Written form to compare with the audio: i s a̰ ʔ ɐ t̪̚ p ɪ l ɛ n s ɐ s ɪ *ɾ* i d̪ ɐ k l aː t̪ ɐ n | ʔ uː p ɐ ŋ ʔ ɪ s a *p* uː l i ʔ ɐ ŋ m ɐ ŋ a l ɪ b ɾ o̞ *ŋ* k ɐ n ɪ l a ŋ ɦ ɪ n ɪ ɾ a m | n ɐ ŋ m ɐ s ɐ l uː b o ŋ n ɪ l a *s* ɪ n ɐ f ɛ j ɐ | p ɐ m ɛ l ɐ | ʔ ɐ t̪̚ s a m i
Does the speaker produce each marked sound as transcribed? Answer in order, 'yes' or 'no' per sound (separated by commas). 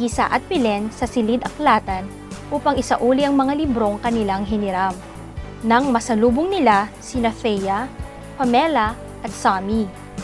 no, no, yes, yes